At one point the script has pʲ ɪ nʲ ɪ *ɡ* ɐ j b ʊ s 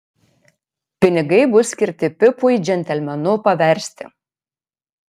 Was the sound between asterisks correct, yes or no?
yes